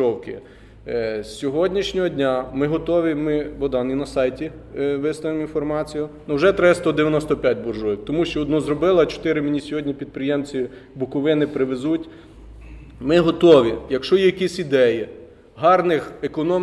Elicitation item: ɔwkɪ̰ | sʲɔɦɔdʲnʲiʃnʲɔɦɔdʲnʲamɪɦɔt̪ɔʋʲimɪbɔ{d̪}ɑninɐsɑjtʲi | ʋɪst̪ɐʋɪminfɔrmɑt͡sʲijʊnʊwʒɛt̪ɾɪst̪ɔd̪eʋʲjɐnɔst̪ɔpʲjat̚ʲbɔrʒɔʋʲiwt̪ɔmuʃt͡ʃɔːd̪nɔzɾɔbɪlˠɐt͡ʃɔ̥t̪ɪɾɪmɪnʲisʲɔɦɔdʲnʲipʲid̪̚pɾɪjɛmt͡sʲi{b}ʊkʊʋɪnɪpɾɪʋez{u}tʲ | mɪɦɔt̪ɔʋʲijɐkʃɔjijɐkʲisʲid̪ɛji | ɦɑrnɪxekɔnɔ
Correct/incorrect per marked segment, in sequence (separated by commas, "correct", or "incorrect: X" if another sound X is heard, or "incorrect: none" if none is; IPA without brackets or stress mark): correct, correct, correct